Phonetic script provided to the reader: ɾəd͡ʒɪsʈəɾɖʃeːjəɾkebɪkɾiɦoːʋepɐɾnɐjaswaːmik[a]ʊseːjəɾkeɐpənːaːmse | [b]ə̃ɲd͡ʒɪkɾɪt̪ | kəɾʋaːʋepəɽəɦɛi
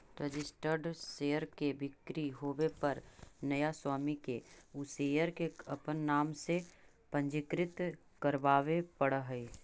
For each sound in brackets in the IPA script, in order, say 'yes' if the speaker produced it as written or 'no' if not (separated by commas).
no, no